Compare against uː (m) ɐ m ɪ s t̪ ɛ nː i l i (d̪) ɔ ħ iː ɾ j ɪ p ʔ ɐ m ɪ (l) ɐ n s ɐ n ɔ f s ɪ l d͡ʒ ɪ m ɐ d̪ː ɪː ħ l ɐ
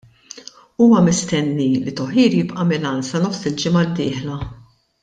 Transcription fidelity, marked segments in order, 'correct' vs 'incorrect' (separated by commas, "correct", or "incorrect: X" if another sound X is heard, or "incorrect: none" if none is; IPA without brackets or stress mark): correct, incorrect: t̪, correct